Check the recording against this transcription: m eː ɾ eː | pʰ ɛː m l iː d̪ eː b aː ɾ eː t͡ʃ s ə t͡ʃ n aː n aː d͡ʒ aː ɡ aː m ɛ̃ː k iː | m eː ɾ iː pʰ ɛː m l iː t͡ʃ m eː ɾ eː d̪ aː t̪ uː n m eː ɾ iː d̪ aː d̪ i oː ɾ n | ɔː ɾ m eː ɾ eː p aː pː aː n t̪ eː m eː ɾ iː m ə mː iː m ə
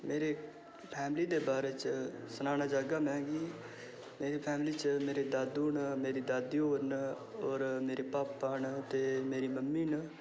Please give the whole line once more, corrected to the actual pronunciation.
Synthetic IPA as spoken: m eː ɾ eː | pʰ ɛː m l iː d̪ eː b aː ɾ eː t͡ʃ s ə n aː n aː d͡ʒ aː ɡ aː m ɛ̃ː ɡ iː | m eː ɾ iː pʰ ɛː m l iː t͡ʃ m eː ɾ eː d̪ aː d̪ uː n m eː ɾ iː d̪ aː d̪ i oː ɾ n | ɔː ɾ m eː ɾ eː p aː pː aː n t̪ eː m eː ɾ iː m ə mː iː n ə

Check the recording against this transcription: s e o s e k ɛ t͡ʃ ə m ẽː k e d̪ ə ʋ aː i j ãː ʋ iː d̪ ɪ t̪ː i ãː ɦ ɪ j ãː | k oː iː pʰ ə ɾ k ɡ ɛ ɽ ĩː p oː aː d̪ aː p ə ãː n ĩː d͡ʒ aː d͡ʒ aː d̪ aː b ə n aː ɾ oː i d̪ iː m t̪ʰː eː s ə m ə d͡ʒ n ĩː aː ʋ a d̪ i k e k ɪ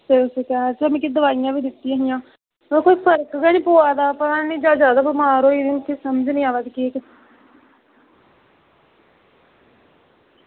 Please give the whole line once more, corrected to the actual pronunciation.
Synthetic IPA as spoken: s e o s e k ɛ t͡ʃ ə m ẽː k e d̪ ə ʋ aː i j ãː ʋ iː d̪ ɪ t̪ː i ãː ɦ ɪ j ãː | k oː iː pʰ ə ɾ k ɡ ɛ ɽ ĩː p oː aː d̪ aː p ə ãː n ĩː d͡ʒ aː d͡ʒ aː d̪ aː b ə m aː ɾ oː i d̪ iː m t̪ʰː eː s ə m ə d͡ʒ n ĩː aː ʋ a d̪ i k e k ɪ

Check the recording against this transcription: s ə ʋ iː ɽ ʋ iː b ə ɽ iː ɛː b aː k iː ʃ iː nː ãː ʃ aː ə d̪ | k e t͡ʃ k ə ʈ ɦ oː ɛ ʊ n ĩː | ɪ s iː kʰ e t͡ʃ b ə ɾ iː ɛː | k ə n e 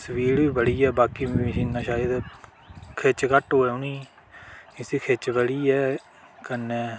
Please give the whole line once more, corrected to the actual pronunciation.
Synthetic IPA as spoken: s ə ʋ iː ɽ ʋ iː b ə ɽ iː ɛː b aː k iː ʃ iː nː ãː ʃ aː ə d̪ | kʰ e t͡ʃ k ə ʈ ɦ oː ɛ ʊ n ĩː | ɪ s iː kʰ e t͡ʃ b ə ɽ iː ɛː | k ə n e

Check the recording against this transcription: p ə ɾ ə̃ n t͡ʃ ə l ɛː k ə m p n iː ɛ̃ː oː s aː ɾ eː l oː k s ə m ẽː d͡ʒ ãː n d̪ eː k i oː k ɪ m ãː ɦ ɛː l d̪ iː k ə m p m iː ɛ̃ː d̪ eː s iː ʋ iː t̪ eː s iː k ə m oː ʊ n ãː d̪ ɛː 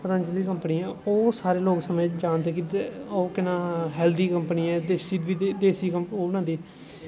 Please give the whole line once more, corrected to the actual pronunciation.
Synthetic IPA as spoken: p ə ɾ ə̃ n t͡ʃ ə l iː k ə m p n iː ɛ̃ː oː s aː ɾ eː l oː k s ə m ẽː d͡ʒ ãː n d̪ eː k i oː k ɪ n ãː ɦ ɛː l d̪ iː k ə m p n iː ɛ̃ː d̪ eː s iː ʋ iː d̪ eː s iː k ə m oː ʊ n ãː d̪ iː

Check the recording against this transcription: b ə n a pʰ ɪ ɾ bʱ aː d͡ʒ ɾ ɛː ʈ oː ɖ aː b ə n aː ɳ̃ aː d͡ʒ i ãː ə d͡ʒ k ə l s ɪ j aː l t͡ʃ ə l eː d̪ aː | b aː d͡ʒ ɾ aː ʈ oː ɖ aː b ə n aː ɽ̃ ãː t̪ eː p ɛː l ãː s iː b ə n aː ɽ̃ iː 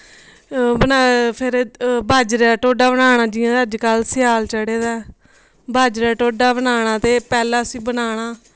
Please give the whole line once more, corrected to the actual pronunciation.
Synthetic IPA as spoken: b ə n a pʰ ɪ ɾ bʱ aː d͡ʒ ɾ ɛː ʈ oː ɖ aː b ə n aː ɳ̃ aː d͡ʒ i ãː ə d͡ʒ k ə l s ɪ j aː l t͡ʃ ə ɽ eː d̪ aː | b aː d͡ʒ ɾ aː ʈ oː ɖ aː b ə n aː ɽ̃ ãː t̪ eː p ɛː l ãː s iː b ə n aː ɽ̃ aː

